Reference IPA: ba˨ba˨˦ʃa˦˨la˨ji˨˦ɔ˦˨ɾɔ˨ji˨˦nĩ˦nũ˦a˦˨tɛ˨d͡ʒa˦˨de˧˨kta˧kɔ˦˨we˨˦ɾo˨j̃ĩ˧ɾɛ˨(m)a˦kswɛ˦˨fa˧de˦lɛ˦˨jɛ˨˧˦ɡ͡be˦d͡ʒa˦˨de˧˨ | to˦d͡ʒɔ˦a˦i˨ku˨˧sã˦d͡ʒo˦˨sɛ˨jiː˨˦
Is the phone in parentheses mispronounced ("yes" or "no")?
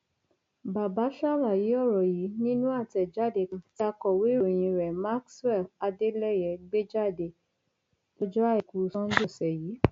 no